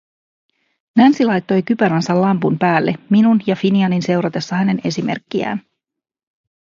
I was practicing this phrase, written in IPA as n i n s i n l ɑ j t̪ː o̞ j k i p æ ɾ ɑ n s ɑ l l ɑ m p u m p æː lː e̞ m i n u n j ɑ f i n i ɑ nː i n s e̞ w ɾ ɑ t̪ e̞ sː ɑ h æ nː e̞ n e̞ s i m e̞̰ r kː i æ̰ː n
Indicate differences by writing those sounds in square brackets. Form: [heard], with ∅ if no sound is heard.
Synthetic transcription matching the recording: n [æ] n s i [∅] l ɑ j t̪ː o̞ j k [y] p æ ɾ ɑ n s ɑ l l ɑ m p u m p æː lː e̞ m i n u n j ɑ f i n i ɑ [n] i n s e̞ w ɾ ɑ t̪ e̞ sː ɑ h æ [n] e̞ n e̞ s i m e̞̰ r kː i æ̰ː n